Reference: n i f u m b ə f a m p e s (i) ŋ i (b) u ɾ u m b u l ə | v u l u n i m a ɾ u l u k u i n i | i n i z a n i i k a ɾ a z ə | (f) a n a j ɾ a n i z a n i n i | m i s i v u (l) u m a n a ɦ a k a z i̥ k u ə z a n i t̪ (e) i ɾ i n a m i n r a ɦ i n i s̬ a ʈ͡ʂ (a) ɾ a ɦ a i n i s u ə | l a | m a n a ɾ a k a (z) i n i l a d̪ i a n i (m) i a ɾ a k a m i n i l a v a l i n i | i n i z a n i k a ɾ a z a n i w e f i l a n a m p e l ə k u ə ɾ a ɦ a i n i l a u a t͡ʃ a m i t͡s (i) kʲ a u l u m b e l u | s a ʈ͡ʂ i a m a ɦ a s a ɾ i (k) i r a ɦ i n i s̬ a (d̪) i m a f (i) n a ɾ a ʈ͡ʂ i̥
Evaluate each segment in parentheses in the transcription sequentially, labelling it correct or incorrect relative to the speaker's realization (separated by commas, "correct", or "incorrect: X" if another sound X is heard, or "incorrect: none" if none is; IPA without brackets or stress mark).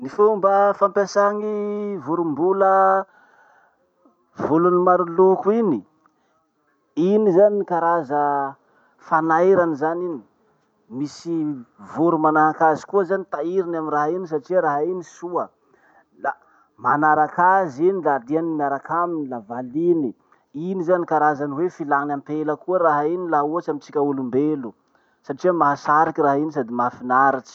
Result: incorrect: a, incorrect: v, correct, incorrect: ɾ, incorrect: a, incorrect: i, correct, correct, correct, correct, correct, correct